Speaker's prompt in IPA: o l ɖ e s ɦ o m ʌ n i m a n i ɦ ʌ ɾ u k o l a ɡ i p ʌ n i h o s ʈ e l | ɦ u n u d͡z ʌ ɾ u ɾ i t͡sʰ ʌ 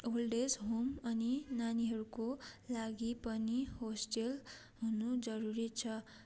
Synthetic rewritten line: o l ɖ e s ɦ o m ʌ n i n a n i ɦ ʌ ɾ u k o l a ɡ i p ʌ n i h o s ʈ e l | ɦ u n u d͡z ʌ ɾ u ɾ i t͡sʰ ʌ